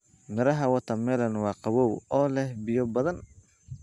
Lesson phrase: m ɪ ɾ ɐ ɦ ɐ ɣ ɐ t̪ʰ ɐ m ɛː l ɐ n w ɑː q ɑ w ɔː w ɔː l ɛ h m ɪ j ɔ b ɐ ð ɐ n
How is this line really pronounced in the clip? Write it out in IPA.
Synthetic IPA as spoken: m ɪ ɾ ɐ ɦ ɐ w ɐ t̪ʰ ɐ m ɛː l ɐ n w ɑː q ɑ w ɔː w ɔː l ɛ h b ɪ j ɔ b ɐ ð ɐ n